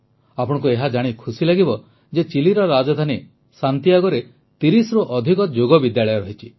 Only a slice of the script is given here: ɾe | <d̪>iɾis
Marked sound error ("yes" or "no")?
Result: yes